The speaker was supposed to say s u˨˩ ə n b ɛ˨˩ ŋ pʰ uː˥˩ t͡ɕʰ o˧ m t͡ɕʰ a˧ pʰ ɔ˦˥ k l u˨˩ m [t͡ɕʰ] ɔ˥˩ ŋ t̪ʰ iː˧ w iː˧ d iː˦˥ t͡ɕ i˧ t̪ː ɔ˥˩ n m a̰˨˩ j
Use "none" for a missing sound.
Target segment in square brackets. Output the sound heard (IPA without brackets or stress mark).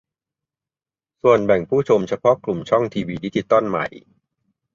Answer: t͡ɕʰ